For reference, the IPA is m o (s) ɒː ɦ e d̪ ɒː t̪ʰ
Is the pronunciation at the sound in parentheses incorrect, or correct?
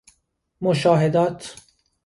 incorrect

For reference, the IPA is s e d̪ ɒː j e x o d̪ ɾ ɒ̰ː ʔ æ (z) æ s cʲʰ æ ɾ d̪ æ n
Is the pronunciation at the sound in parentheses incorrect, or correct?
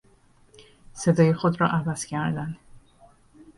incorrect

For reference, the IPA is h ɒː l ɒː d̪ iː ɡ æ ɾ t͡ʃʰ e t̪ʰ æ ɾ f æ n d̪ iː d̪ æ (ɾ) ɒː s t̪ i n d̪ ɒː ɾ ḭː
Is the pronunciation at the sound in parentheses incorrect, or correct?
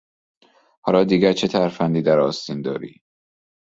correct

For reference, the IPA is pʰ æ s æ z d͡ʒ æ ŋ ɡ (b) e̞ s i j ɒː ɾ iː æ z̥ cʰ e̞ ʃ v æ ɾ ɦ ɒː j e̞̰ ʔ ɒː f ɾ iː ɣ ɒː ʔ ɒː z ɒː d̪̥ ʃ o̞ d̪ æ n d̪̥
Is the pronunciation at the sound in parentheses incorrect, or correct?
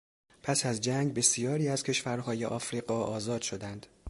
correct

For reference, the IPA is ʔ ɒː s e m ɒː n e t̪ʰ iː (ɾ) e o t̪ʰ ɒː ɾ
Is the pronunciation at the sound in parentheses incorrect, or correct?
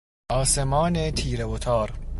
correct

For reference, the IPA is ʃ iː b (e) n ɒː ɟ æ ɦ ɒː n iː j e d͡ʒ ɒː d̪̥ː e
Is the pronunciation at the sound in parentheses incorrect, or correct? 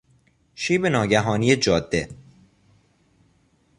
correct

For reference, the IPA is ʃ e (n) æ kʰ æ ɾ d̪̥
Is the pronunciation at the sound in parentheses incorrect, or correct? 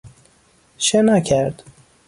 correct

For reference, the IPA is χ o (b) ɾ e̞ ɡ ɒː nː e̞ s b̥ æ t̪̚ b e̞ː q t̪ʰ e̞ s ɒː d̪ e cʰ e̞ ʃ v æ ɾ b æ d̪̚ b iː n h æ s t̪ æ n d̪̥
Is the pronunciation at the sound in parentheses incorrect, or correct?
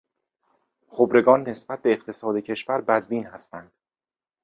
correct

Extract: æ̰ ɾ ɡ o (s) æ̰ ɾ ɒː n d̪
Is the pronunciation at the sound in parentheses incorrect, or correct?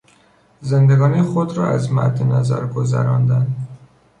incorrect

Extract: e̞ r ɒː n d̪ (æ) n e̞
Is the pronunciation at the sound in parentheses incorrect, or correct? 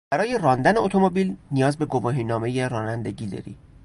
correct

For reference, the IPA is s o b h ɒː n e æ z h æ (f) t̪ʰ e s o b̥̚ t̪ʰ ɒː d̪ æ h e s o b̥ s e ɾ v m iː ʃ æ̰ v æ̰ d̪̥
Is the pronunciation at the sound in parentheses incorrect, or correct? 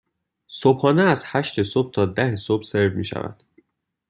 incorrect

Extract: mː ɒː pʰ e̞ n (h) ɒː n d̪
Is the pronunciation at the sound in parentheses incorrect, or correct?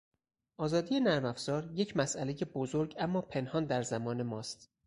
correct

